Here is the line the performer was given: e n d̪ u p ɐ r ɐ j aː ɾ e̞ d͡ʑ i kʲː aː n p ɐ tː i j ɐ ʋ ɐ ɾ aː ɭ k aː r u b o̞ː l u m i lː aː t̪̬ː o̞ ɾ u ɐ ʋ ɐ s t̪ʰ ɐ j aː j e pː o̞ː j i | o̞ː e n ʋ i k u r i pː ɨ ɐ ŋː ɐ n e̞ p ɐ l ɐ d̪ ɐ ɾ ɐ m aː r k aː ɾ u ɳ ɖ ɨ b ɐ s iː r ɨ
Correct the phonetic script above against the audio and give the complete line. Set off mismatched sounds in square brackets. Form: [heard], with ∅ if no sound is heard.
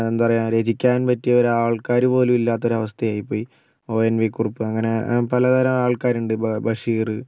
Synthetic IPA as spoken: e n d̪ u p ɐ r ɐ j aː ɾ e̞ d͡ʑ i kʲː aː n p ɐ tː i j ɐ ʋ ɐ ɾ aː ɭ k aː [ɾ] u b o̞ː l u m i lː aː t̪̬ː o̞ ɾ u ɐ ʋ ɐ s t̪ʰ ɐ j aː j [i] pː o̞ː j i | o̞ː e n ʋ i k u r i pː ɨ ɐ ŋː ɐ n e̞ p ɐ l ɐ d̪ ɐ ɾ ɐ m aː [ɭ] k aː ɾ u ɳ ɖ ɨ b ɐ [ʂ] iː r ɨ